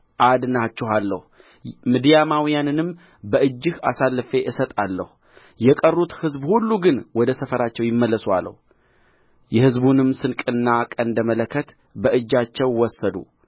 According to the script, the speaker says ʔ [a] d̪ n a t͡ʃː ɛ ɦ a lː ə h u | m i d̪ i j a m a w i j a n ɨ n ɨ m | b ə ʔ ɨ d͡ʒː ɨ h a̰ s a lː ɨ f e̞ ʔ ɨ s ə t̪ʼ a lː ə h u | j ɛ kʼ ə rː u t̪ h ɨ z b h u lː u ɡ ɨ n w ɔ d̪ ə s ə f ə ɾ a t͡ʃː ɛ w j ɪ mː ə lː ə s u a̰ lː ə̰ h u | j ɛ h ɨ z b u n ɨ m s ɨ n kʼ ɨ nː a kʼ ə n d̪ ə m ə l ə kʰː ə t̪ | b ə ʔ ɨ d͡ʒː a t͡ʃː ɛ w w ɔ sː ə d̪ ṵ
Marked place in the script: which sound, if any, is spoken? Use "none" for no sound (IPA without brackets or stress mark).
a